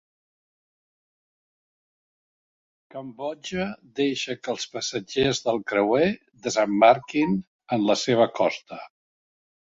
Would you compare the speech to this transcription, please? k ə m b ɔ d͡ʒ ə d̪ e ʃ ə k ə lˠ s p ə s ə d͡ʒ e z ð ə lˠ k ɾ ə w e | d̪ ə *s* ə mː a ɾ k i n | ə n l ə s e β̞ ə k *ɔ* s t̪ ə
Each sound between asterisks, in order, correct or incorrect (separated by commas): incorrect, correct